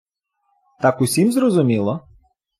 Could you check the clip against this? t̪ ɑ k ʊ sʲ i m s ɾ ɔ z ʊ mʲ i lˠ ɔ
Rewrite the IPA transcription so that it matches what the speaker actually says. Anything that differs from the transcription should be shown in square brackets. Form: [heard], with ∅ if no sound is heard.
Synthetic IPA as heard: t̪ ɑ k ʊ sʲ i m [z] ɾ ɔ z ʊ mʲ i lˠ ɔ